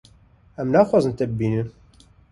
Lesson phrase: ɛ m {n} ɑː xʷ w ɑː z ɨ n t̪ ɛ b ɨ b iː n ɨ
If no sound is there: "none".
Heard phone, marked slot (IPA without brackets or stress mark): n